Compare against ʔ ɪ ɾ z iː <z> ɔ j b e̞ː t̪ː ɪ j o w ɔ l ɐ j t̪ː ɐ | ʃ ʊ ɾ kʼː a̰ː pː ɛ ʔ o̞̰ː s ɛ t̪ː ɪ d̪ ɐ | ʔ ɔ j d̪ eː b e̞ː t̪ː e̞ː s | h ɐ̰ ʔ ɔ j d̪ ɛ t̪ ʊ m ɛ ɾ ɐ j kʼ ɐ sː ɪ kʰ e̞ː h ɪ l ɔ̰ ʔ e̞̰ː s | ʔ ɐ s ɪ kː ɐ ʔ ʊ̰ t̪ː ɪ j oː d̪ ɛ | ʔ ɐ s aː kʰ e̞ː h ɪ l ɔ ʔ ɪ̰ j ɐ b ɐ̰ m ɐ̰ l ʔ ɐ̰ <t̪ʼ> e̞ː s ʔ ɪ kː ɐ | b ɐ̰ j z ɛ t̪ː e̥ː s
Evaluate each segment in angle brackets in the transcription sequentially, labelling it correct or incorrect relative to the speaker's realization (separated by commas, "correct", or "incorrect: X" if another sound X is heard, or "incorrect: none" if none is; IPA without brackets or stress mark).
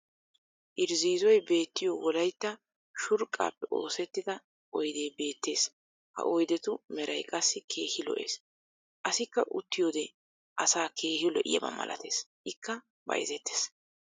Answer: correct, incorrect: t̪